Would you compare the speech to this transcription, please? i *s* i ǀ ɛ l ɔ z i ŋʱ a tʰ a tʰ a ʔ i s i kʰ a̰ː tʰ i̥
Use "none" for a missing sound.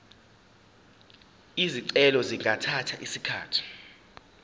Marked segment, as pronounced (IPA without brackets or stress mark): z